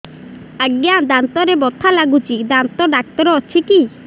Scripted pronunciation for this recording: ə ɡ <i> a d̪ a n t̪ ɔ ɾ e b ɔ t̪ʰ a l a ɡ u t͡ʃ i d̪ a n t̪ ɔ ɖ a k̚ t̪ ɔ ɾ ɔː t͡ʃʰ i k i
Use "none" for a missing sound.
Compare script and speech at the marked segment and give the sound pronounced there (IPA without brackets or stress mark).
j